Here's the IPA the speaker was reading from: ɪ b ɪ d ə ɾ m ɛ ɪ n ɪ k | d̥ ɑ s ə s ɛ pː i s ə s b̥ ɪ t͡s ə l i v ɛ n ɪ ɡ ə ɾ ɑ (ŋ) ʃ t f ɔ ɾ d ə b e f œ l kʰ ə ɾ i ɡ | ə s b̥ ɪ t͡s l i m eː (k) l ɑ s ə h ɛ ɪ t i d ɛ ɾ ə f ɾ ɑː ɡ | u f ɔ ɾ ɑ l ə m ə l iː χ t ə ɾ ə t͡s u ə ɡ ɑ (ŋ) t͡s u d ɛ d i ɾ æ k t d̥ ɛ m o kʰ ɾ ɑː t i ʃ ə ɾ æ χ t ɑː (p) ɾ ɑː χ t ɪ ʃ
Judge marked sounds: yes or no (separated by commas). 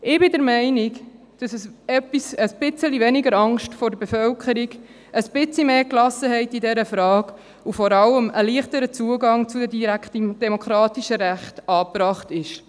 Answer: yes, yes, yes, yes